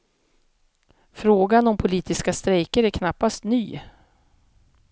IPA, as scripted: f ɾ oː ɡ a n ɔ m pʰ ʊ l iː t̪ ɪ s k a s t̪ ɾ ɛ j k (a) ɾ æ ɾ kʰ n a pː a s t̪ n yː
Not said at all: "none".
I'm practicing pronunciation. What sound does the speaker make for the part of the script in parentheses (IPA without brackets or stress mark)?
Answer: ə